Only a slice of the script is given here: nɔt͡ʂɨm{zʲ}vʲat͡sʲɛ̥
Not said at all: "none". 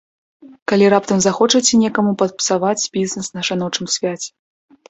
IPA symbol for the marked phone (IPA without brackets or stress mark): sʲ